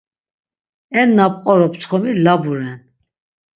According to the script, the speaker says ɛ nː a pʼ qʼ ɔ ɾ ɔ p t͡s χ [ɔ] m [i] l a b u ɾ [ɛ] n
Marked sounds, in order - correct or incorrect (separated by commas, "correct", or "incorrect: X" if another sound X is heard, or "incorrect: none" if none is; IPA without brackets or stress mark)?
correct, correct, correct